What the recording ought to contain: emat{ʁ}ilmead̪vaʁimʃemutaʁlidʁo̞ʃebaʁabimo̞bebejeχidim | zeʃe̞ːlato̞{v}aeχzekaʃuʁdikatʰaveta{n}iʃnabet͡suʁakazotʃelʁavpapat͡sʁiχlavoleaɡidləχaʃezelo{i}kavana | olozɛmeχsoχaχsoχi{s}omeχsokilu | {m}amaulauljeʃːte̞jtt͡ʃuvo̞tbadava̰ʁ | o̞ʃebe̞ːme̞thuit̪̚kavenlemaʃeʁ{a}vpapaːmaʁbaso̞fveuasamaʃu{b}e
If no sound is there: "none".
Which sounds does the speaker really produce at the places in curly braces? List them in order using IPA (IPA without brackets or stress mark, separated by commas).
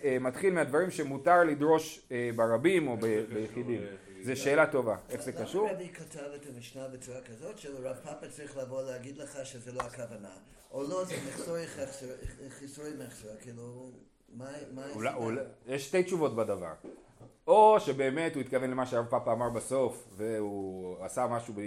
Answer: χ, v, m, a, s, m, a, b